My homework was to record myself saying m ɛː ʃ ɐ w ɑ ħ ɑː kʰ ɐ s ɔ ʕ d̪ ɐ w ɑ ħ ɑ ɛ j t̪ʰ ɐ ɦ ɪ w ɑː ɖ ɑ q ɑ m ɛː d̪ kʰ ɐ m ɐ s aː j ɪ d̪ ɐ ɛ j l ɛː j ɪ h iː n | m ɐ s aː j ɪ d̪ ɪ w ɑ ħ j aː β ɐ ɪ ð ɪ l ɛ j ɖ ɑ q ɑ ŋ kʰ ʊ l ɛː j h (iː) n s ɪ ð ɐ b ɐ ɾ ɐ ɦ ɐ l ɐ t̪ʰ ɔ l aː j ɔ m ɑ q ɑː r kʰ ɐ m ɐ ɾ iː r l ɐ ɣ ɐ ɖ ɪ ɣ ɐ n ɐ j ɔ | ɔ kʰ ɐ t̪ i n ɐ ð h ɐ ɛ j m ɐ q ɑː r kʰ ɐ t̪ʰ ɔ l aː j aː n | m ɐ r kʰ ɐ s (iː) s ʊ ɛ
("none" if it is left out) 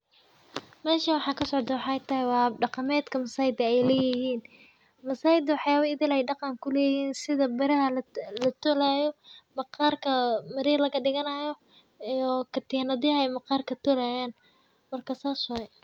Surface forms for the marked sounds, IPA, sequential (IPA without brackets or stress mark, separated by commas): iː, aː